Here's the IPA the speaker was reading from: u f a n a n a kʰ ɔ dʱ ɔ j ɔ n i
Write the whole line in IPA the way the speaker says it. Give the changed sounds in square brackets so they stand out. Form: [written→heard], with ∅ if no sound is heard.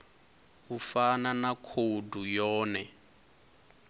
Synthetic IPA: u f a n a n a kʰ [ɔ→o] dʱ [ɔ→u] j [ɔ→ɔː] n [i→ɛ]